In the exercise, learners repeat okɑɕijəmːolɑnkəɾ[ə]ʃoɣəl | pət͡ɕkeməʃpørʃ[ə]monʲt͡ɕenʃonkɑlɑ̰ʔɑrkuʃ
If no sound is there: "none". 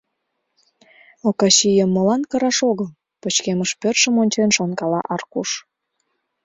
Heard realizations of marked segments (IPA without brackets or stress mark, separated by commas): ɑ, ə